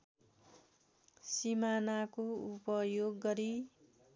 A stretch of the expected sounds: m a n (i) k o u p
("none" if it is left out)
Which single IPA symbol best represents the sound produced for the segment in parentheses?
a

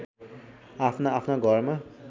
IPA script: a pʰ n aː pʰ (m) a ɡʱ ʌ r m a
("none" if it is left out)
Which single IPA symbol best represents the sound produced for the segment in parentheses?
n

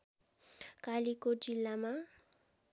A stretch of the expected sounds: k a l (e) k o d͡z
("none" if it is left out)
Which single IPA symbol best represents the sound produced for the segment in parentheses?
i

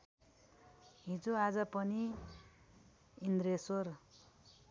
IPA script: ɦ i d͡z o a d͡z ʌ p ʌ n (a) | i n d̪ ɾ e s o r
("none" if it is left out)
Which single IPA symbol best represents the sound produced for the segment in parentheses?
i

